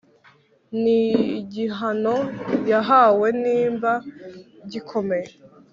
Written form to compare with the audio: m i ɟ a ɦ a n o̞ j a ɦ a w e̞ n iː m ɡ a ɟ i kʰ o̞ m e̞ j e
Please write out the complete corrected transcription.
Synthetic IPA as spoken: n i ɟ i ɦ a n o̞ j a ɦ a w e̞ n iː m b a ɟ i kʰ o̞ m e̞ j e